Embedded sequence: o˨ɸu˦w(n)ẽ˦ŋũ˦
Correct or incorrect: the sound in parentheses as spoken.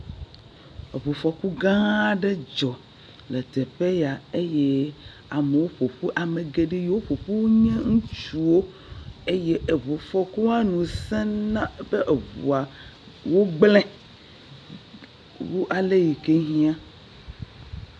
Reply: incorrect: ɲ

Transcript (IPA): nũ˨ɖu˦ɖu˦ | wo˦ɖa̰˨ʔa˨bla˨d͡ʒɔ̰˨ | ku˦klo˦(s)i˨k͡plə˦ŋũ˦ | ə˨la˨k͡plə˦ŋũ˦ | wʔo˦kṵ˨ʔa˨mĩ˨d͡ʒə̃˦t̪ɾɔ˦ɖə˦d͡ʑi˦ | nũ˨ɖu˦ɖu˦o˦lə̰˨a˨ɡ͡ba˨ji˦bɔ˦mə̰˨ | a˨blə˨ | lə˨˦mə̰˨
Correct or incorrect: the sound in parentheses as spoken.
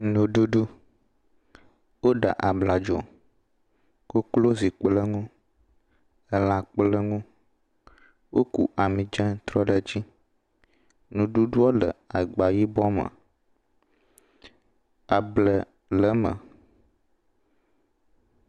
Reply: incorrect: z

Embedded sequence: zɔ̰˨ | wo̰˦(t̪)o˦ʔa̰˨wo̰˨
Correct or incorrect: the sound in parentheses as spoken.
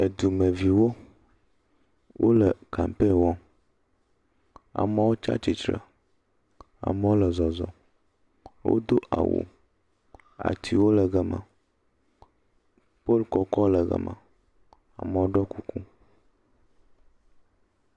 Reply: incorrect: d̪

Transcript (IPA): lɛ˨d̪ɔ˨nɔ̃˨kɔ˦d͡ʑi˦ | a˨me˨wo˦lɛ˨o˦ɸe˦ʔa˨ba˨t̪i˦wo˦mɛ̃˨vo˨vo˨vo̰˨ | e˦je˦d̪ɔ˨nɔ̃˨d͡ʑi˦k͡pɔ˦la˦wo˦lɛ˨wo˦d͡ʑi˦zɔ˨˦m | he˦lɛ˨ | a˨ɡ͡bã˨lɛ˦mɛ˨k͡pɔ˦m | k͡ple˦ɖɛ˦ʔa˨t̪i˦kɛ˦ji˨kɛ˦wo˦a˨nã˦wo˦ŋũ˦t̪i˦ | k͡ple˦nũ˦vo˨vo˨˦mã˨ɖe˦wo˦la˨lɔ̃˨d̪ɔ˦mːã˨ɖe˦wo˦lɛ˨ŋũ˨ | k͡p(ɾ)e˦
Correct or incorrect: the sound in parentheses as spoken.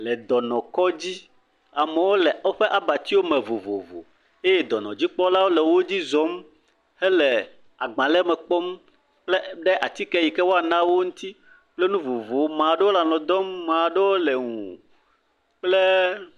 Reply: incorrect: l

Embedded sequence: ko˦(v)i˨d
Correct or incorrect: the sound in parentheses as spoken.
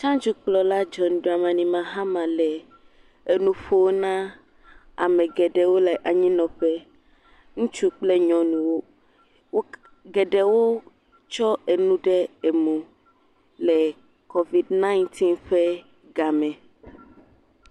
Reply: correct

